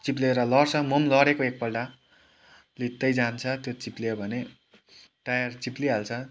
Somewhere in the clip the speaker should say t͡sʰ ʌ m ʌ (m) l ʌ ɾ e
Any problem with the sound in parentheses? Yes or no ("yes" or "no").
no